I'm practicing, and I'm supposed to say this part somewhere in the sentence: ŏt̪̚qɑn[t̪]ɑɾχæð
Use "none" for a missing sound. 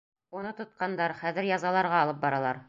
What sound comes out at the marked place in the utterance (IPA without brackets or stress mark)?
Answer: d̪